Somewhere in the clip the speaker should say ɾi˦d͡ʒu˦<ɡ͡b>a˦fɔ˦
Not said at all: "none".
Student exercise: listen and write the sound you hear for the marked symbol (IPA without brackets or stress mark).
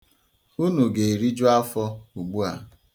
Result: none